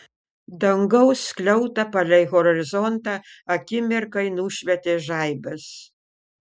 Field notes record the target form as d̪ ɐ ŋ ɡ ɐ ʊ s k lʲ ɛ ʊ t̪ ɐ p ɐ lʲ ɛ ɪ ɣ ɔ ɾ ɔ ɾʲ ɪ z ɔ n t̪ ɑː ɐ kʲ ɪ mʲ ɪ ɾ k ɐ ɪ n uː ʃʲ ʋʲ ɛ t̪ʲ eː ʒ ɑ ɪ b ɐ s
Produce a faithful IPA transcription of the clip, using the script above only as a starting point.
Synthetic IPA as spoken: d̪ ɐ ŋ ɡ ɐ ʊ s k lʲ ɛ ʊ t̪ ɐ p ɐ lʲ ɛ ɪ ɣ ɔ ɾ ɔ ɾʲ ɪ z ɔ n t̪ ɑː ɐ kʲ ɪ mʲ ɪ ɾ k ɐ ɪ n uː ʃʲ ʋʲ ɛ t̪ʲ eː ʒ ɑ ɪ b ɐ s